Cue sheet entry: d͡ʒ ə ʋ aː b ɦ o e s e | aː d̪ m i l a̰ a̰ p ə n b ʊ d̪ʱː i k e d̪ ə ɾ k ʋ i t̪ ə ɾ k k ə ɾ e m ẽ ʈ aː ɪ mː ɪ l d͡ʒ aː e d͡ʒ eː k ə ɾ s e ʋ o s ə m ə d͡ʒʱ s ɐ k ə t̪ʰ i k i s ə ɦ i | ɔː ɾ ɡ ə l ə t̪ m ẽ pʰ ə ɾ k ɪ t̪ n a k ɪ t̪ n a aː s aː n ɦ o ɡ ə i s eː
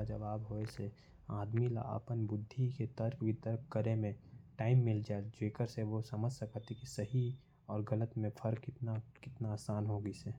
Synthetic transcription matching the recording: d͡ʒ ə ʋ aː b ɦ o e s e | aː d̪ m i l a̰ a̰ p ə n b ʊ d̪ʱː i k e t̪ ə ɾ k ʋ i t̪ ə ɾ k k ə ɾ e m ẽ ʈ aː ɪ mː ɪ l d͡ʒ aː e d͡ʒ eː k ə ɾ s e ʋ o s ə m ə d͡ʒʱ s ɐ k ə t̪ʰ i k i s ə ɦ i | ɔː ɾ ɡ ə l ə t̪ m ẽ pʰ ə ɾ k ɪ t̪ n a k ɪ t̪ n a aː s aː n ɦ o ɡ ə i s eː